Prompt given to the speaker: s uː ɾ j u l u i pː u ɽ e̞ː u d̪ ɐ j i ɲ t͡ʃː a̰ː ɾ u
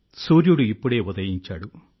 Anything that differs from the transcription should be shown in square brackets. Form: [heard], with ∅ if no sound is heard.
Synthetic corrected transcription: s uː ɾ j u [ɽ] u i pː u ɽ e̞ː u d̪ ɐ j i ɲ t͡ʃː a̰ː [ɽ] u